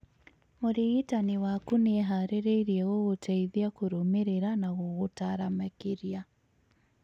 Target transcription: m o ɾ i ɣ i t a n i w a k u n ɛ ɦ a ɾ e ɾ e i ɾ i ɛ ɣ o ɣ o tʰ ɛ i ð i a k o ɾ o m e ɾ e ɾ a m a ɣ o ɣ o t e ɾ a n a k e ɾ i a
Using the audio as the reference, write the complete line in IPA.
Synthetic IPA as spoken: m o ɾ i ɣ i t a n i w a k u n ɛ ɦ a ɾ e ɾ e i ɾ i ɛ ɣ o ɣ o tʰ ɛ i ð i a k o ɾ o m e ɾ e ɾ a n a ɣ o ɣ o t a ɾ a m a k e ɾ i a